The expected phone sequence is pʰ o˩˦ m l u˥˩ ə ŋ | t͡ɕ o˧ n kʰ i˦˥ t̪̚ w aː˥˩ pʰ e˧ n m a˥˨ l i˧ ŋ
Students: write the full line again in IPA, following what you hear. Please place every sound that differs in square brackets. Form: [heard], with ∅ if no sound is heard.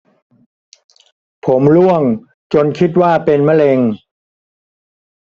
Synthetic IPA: pʰ o˩˦ m l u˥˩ ə ŋ | t͡ɕ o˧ n kʰ i˦˥ t̪̚ w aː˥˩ [p] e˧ n m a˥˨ l [e˧] ŋ